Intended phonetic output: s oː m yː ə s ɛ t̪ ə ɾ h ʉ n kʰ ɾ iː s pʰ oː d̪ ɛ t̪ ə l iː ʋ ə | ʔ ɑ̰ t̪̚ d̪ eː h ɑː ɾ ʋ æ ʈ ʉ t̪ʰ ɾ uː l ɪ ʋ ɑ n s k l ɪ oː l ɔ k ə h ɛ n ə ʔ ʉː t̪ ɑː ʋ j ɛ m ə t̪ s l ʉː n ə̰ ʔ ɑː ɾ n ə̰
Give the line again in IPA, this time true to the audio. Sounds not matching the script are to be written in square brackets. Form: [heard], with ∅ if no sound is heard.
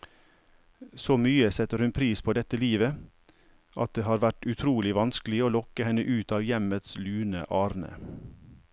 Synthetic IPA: s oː m yː ə s ɛ t̪ ə ɾ h ʉ n [pʰ] ɾ iː s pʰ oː d̪ ɛ t̪ ə l iː ʋ ə | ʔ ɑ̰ t̪̚ d̪ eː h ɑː ɾ ʋ æ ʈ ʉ t̪ʰ ɾ uː l ɪ ʋ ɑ n s k l ɪ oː l ɔ k ə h ɛ n ə ʔ ʉː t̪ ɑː ʋ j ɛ m ə t̪ s l ʉː n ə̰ ʔ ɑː ɾ n ə̰